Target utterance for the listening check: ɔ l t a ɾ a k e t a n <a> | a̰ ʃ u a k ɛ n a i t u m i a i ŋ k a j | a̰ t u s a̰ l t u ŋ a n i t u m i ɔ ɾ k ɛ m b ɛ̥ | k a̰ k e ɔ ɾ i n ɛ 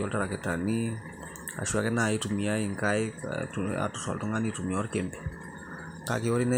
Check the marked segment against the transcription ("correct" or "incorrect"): incorrect